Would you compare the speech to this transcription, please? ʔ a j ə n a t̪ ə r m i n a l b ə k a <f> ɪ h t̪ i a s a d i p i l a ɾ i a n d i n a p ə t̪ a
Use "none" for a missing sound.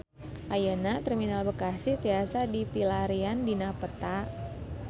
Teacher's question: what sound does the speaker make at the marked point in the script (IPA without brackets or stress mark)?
s